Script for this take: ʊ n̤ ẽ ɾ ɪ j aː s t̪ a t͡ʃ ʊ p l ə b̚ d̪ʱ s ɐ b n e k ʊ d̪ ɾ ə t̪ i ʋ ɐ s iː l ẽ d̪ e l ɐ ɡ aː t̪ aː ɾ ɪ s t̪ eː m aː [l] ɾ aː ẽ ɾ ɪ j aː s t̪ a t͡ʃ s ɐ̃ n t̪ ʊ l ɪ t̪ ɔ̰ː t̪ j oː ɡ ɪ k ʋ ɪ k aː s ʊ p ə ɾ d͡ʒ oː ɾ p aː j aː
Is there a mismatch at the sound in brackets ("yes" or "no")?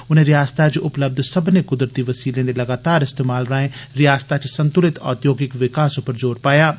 no